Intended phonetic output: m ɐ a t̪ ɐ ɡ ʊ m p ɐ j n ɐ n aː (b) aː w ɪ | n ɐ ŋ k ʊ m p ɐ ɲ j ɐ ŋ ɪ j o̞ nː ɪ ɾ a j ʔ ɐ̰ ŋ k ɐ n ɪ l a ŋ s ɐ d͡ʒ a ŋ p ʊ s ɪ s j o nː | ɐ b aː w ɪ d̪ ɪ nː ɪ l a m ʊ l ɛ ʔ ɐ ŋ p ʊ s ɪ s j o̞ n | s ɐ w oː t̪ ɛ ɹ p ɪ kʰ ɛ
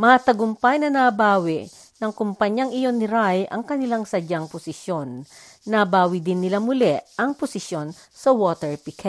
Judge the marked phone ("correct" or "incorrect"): correct